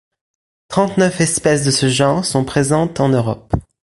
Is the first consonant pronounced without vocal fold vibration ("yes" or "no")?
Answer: yes